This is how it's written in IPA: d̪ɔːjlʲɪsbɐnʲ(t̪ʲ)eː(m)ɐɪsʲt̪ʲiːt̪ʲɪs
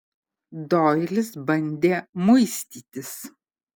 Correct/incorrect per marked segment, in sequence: incorrect: d̪ʲ, correct

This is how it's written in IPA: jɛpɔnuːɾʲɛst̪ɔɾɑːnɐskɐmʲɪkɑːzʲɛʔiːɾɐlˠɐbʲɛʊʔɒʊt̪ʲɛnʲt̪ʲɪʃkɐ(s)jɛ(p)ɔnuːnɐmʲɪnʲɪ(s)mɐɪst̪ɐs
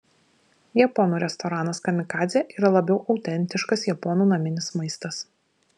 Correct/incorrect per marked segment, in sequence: correct, correct, correct

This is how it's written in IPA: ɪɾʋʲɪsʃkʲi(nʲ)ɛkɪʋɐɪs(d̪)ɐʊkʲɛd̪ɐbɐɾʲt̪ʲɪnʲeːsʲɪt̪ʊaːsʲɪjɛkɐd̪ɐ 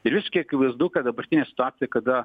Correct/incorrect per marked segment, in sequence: incorrect: none, correct

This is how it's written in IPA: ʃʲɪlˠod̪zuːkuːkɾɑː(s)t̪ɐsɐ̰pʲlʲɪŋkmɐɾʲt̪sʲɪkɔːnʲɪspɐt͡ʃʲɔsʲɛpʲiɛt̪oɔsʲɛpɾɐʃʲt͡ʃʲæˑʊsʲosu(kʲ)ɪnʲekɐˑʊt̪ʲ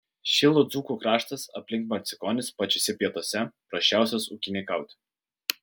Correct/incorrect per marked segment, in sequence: incorrect: ʃ, correct

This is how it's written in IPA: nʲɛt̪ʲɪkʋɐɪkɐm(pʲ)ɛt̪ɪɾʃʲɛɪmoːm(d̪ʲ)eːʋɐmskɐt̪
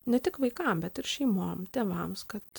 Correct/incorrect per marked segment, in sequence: incorrect: bʲ, incorrect: t̪ʲ

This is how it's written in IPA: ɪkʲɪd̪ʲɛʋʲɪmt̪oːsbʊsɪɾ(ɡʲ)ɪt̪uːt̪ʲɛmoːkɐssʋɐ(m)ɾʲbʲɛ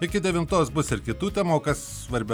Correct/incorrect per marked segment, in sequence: incorrect: kʲ, incorrect: none

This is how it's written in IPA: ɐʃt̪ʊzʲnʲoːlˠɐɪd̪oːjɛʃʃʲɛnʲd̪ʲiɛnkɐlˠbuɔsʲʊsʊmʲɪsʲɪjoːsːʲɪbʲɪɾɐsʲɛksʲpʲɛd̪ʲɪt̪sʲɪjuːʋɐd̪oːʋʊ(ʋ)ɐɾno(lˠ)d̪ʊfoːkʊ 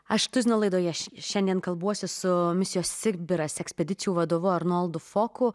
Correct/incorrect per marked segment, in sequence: incorrect: none, correct

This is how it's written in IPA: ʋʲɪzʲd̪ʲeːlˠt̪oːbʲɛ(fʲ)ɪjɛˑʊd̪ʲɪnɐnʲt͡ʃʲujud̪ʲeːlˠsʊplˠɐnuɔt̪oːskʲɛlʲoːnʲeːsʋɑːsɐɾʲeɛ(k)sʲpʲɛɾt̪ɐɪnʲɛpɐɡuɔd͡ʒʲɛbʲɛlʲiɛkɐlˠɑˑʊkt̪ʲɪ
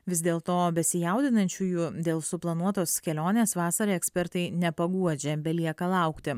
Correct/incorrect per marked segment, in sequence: incorrect: sʲ, correct

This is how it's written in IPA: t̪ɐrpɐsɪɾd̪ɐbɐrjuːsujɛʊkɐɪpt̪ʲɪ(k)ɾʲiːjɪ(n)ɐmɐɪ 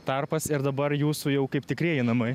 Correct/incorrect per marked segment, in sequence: correct, correct

